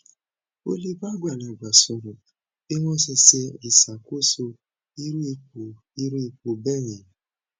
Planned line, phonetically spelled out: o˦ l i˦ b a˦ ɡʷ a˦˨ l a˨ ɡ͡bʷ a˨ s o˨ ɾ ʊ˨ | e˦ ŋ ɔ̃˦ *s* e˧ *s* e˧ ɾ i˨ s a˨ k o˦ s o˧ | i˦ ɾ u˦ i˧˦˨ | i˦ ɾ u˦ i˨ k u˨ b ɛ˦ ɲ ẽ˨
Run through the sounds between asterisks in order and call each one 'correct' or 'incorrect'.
correct, correct

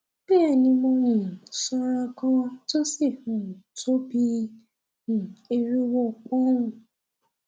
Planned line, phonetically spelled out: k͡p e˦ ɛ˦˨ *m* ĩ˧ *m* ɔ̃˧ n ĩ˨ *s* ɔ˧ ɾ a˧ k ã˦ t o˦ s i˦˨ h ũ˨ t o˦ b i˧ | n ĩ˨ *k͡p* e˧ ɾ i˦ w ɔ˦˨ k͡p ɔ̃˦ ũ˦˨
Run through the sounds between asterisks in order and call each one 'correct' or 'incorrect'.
incorrect: n, correct, correct, incorrect: none

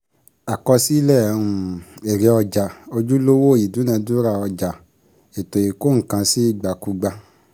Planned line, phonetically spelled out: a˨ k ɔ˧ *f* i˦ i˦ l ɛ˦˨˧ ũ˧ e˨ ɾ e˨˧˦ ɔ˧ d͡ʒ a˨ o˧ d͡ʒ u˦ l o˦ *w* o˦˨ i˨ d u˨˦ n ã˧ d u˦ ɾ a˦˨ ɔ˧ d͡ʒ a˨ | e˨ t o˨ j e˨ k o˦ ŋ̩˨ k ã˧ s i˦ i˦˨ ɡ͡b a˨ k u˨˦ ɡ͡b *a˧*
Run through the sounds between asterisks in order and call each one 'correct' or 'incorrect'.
incorrect: s, correct, correct

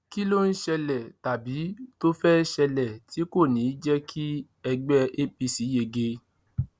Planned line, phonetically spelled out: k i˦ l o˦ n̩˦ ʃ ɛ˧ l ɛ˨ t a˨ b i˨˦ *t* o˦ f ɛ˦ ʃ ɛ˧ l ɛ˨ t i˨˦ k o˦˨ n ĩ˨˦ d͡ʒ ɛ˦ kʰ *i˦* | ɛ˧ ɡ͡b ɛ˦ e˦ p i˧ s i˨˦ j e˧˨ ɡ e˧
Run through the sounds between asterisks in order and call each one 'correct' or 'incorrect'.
correct, correct

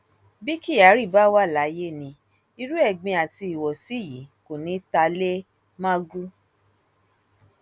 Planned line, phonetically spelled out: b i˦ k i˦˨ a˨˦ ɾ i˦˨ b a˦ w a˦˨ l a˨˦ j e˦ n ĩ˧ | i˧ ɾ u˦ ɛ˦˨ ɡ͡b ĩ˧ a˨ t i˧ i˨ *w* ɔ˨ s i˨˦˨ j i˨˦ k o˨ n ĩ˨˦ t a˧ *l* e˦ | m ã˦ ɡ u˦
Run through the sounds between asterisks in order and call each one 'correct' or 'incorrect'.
correct, correct

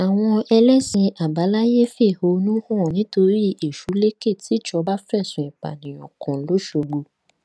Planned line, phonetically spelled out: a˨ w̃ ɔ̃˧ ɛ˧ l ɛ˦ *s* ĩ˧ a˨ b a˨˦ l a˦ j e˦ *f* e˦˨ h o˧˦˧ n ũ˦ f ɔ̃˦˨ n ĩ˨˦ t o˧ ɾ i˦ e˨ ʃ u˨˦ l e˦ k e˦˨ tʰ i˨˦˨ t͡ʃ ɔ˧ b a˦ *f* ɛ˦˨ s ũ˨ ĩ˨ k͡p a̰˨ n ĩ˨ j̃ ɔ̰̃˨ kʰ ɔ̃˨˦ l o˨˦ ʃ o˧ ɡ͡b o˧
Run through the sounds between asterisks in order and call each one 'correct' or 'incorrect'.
correct, correct, correct

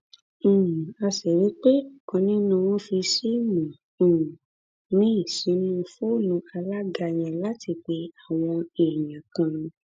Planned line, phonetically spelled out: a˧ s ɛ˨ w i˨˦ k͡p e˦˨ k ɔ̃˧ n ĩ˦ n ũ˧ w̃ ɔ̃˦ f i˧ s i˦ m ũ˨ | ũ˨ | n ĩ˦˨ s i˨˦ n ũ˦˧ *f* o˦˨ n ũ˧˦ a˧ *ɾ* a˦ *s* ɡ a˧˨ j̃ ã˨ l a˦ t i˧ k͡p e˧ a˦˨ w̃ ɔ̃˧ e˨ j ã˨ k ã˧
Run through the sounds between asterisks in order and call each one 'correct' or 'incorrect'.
correct, incorrect: l, incorrect: none

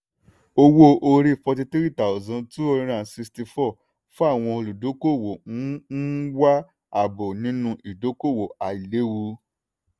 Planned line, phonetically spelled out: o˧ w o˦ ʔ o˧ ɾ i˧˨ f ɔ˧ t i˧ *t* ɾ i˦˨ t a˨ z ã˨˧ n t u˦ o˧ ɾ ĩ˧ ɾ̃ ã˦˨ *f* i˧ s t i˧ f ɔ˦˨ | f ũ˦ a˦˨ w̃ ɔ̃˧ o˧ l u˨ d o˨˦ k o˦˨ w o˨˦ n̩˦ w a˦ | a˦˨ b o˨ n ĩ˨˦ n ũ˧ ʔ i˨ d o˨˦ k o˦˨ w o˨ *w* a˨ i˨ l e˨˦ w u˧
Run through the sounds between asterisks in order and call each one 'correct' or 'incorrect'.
correct, incorrect: s, incorrect: none

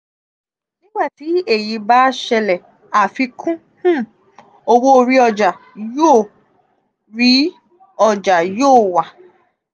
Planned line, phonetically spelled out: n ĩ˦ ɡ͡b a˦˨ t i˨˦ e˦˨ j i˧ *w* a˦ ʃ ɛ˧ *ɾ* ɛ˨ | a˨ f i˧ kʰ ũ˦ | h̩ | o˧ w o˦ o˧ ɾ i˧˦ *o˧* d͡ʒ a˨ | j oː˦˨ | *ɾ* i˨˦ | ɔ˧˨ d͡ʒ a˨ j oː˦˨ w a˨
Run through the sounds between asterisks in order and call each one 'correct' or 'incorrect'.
incorrect: b, incorrect: l, incorrect: ɔ˧, correct

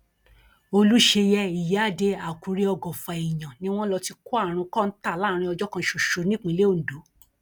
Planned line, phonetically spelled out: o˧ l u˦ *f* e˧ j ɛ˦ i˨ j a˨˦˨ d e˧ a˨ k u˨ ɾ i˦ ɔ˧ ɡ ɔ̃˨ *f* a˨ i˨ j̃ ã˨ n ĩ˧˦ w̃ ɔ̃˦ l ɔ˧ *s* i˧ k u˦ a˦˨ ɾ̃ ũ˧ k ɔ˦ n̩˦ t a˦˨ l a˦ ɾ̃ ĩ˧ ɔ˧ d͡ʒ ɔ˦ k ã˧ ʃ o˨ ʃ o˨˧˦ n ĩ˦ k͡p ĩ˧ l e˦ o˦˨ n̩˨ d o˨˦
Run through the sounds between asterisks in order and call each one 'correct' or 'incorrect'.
incorrect: ʃ, correct, incorrect: t

